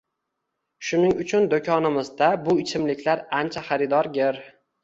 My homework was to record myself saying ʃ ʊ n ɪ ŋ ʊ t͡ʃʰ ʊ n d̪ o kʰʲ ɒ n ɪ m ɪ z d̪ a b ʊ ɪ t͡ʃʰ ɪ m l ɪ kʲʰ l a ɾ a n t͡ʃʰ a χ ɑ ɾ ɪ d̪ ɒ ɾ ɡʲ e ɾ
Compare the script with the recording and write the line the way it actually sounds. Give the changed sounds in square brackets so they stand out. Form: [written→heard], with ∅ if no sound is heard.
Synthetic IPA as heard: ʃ ʊ n ɪ ŋ ʊ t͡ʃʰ ʊ n d̪ o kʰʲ ɒ n ɪ m ɪ z d̪ a b ʊ ɪ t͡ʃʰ ɪ m l ɪ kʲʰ l a ɾ a n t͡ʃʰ a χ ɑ ɾ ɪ d̪ ɒ ɾ ɡʲ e ɾ